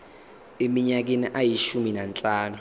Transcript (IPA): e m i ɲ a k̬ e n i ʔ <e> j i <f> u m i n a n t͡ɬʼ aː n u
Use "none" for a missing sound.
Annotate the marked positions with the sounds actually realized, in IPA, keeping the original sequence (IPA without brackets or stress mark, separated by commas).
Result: a, ʃ